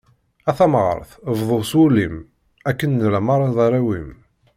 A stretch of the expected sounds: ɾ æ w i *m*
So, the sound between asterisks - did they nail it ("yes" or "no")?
yes